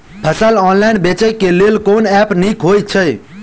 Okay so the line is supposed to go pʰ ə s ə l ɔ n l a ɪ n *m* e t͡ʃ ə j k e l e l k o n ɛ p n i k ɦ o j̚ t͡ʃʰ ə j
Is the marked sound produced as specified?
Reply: no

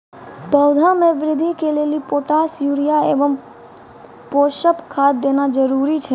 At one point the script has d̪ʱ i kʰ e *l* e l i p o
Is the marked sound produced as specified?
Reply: yes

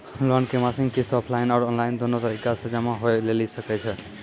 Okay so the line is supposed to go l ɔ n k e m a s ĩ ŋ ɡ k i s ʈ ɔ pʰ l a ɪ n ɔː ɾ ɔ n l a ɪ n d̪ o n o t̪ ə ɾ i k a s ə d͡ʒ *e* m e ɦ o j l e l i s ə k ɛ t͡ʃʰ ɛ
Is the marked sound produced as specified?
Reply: no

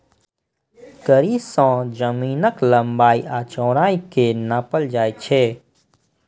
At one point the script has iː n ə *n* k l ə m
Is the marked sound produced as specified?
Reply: no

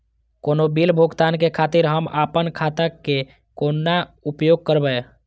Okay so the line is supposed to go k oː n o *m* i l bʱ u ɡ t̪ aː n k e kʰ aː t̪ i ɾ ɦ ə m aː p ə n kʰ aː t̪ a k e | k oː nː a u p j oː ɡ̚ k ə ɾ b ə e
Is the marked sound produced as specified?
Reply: no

